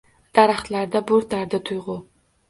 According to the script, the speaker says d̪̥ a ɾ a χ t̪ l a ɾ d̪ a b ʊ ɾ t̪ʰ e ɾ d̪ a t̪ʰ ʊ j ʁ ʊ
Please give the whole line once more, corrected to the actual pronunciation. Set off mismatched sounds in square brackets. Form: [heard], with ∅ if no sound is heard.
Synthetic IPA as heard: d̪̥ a ɾ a χ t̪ l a ɾ d̪ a b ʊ ɾ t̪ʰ [a] ɾ d̪ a t̪ʰ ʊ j ʁ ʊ